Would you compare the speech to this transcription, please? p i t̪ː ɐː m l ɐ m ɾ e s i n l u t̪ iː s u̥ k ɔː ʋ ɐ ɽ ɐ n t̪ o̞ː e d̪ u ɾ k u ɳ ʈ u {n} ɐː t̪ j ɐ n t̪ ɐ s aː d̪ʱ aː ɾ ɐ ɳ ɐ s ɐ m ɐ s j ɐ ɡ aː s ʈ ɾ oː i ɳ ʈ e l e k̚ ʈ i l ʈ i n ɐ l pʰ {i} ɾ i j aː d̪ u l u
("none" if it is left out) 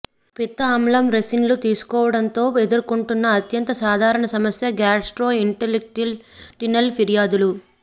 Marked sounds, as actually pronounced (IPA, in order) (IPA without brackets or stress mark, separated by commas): nː, i